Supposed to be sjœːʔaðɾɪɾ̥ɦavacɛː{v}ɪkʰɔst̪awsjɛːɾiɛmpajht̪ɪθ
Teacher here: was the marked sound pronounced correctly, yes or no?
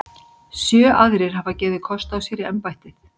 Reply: no